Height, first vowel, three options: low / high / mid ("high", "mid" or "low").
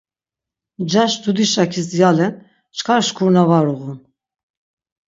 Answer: low